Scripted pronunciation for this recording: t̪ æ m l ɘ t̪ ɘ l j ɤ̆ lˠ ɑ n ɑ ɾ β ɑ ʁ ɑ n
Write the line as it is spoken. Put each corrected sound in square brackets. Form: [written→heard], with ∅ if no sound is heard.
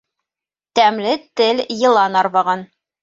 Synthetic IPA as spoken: t̪ æ m l ɘ t̪ ɘ l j ɤ̆ lˠ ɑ n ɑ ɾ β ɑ ʁ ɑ n